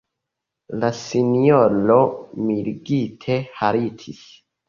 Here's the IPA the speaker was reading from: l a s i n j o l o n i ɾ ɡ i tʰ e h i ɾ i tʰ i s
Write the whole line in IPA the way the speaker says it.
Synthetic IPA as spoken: l a s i n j o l o m i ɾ ɡ i tʰ e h a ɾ i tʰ i s